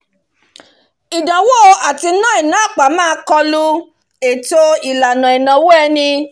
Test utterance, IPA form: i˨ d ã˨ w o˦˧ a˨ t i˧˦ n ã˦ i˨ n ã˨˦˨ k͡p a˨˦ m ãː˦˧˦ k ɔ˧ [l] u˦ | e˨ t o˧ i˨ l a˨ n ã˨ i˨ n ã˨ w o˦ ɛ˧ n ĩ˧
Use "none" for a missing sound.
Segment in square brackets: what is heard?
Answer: l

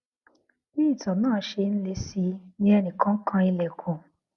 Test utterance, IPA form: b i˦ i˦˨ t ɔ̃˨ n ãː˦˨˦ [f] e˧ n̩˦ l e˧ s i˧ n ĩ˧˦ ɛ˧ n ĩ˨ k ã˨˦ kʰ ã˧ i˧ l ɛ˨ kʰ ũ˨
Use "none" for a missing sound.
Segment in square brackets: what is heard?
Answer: ʃ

